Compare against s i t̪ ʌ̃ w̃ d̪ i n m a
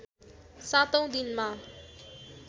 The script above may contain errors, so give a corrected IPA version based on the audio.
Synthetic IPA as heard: s a t̪ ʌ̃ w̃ d̪ i n m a